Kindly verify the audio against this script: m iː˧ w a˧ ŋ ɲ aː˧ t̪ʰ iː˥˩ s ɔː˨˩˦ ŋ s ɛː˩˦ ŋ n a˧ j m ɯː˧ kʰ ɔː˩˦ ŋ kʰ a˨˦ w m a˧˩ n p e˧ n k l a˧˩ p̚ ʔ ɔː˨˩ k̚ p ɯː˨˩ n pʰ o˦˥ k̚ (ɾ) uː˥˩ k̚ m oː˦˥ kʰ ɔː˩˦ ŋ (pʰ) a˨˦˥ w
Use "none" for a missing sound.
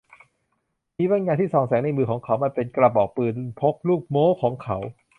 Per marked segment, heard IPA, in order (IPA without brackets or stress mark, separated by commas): l, kʰ